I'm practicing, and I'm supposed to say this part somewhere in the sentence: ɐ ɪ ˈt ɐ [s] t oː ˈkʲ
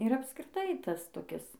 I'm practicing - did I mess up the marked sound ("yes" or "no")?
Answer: no